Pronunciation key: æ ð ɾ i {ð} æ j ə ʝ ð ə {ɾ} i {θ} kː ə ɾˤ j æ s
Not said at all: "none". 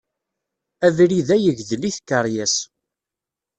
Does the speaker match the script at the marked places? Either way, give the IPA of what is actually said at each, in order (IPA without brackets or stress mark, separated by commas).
ð, l, θ